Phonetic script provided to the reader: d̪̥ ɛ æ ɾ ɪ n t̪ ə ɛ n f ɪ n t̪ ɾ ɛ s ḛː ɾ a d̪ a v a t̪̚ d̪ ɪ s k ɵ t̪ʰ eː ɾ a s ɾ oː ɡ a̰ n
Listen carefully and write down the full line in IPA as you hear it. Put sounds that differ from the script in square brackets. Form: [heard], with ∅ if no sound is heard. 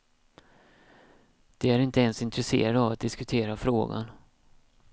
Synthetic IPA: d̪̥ ɛ æ ɾ ɪ n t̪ ə ɛ n [s] ɪ n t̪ ɾ ɛ s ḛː ɾ a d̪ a v a t̪̚ d̪ ɪ s k ɵ t̪ʰ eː ɾ a [f] ɾ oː ɡ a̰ n